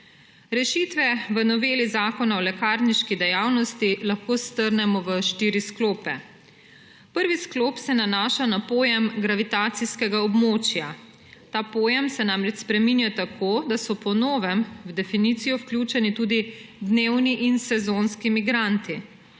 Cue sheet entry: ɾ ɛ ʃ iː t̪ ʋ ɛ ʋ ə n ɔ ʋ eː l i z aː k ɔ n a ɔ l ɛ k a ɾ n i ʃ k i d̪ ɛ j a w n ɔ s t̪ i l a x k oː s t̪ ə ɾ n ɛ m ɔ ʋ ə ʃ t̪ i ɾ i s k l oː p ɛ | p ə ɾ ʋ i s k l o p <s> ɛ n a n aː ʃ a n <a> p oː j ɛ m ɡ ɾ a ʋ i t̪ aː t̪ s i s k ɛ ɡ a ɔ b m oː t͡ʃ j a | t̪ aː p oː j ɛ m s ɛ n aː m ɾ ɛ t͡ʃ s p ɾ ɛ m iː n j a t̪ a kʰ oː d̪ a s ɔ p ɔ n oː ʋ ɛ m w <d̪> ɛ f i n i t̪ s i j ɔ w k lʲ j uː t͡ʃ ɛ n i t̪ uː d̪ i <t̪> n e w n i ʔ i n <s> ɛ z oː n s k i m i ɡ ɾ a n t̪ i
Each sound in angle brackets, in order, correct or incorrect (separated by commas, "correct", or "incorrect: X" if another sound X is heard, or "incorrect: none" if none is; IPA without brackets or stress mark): correct, correct, correct, incorrect: d̪, correct